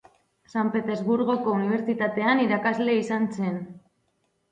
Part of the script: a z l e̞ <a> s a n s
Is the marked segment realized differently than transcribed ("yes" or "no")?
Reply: yes